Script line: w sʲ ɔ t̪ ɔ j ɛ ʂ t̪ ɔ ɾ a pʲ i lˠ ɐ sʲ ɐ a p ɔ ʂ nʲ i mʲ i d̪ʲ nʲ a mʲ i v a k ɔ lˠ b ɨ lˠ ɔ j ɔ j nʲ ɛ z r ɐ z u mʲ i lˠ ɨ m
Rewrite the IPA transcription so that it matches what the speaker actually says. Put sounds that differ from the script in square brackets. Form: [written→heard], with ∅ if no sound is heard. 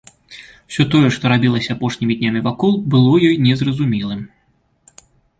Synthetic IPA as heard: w sʲ ɔ t̪ ɔ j ɛ ʂ t̪ ɔ ɾ a [pʲ→bʲ] i lˠ ɐ sʲ ɐ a p ɔ ʂ nʲ i mʲ i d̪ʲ nʲ a mʲ i v a k ɔ lˠ b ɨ lˠ ɔ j ɔ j nʲ ɛ z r ɐ z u mʲ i lˠ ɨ m